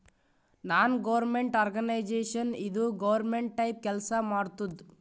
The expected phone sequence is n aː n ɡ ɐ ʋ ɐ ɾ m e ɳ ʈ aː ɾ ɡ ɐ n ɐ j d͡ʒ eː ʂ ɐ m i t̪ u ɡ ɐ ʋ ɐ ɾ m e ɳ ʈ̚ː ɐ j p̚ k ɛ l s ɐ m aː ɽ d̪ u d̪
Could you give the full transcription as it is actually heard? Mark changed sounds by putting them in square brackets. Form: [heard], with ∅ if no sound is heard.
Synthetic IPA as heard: n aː n ɡ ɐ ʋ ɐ ɾ m e ɳ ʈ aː ɾ ɡ ɐ n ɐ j d͡ʒ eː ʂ ɐ [n] i [d̪] u ɡ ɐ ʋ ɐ ɾ m e ɳ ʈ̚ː ɐ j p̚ k ɛ l s ɐ m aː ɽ [t̪] u d̪